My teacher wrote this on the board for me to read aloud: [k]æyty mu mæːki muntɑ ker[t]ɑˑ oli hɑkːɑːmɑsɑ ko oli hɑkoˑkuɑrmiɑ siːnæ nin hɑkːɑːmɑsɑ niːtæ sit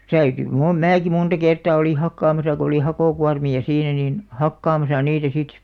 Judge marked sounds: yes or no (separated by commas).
no, yes